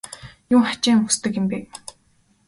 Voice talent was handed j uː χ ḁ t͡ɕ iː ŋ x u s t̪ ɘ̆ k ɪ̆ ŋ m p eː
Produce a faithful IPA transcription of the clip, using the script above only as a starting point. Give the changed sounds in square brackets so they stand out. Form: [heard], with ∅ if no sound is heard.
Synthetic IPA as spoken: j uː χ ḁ t͡ɕ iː ŋ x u s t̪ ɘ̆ k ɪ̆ [∅] m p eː